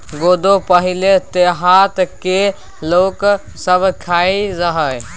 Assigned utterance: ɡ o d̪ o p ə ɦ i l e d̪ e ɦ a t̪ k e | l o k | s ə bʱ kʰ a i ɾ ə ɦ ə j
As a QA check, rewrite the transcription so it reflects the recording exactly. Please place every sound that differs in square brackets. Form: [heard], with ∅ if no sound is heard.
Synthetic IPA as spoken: ɡ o d̪ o p ə ɦ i l e [t̪] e ɦ a t̪ k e | l o k | s ə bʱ kʰ a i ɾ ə ɦ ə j